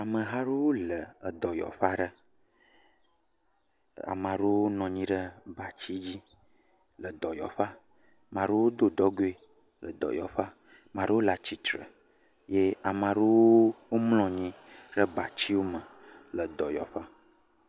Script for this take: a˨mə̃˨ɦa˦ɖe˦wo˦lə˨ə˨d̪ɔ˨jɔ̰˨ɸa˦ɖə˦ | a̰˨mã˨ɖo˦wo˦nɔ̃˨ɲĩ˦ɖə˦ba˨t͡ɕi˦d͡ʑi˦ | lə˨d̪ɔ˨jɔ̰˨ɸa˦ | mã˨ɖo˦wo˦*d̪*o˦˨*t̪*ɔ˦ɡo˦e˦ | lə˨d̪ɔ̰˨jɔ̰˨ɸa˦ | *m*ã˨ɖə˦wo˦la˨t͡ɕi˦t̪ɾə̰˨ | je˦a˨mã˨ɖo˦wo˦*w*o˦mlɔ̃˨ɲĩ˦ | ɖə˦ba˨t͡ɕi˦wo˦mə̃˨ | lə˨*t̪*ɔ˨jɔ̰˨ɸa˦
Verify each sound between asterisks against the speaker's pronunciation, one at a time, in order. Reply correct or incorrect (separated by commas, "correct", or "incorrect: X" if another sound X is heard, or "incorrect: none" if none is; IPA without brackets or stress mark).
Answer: correct, incorrect: d̪, correct, correct, incorrect: d̪